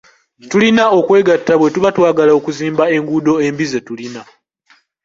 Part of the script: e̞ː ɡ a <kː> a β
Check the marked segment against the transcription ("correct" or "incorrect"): incorrect